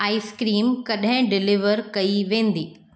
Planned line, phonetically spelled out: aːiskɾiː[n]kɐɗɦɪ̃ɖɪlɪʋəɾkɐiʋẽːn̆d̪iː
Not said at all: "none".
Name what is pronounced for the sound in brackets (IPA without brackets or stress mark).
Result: m